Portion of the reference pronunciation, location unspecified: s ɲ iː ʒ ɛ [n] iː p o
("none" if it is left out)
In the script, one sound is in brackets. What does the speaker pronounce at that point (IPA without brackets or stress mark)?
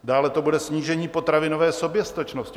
ɲ